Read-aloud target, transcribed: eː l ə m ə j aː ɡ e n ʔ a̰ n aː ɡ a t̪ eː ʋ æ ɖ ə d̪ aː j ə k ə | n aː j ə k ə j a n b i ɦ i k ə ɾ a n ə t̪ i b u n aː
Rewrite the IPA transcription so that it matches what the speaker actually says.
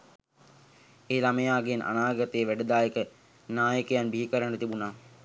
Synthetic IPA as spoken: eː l a m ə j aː ɡ e n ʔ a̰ n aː ɡ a t̪ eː ʋ æ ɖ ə d̪ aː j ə k ə | n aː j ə k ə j a n b i ɦ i k ə ɾ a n ə t̪ i b u n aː